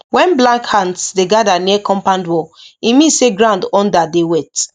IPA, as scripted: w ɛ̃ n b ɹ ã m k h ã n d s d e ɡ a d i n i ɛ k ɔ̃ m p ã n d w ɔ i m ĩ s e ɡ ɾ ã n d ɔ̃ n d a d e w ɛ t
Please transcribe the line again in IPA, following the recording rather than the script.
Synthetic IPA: w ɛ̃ n b l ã ŋ k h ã n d s d e ɡ a d a n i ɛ k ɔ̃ m p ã n d w ɔ i m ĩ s e ɡ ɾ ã n d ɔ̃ n d a d e w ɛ t